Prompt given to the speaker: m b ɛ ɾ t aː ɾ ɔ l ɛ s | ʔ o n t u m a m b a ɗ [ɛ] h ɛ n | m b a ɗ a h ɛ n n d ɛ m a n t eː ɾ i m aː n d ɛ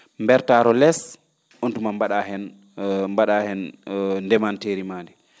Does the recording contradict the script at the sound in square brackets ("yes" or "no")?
yes